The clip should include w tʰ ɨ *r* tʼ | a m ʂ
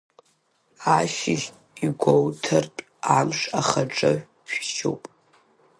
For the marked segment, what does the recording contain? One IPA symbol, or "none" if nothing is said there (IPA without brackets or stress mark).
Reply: r